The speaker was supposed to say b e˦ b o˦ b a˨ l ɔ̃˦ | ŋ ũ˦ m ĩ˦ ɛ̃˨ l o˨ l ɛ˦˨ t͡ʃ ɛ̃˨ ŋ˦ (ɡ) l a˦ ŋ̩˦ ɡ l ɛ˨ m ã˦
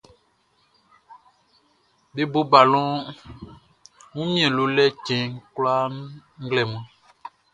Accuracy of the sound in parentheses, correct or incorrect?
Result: incorrect